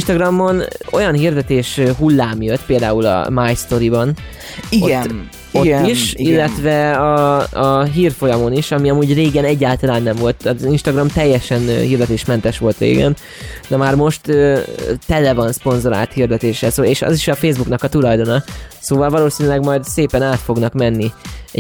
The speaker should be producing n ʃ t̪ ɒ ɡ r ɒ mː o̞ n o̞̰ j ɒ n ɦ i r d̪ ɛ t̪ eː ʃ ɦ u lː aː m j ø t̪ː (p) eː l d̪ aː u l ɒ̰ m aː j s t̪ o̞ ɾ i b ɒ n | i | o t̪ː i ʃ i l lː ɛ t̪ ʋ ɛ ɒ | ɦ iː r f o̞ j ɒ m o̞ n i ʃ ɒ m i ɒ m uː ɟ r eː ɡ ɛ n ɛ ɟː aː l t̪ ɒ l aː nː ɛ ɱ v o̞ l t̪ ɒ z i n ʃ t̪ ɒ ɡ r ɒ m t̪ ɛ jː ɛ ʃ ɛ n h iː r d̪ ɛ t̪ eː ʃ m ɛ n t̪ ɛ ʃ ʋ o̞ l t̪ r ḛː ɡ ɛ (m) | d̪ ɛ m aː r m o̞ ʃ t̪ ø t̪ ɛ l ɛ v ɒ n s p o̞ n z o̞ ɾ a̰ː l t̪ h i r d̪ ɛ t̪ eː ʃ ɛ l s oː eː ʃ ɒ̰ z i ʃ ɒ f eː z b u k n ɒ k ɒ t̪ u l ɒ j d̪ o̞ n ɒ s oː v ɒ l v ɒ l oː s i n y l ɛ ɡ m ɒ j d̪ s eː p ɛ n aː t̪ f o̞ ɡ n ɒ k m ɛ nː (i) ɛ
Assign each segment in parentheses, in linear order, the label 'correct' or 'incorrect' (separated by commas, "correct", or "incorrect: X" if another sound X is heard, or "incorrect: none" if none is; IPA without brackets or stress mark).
correct, incorrect: n, correct